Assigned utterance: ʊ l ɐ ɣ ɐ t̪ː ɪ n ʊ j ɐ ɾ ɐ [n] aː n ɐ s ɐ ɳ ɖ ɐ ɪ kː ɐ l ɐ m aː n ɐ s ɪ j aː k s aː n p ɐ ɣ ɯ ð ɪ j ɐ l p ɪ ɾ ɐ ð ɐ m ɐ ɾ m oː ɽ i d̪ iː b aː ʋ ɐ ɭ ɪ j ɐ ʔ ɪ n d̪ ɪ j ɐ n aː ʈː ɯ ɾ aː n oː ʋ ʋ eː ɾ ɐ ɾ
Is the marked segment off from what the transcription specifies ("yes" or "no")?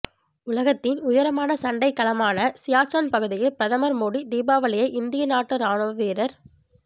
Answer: yes